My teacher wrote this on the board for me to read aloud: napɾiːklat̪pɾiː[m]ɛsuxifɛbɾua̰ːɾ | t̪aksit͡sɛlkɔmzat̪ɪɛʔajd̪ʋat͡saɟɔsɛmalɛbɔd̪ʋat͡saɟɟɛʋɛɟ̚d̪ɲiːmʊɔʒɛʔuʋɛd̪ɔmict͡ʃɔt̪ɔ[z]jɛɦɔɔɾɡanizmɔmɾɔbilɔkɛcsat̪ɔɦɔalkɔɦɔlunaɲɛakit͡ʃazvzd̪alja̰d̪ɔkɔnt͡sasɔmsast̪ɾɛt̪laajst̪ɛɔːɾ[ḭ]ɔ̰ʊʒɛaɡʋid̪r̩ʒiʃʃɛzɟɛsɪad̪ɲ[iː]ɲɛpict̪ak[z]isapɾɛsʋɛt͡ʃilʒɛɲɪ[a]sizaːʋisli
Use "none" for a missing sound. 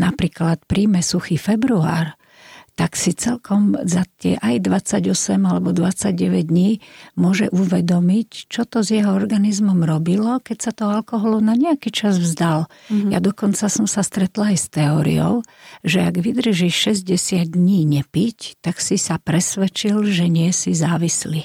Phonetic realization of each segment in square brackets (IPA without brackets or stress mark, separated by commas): m, z, ḭ, iː, s, ɛ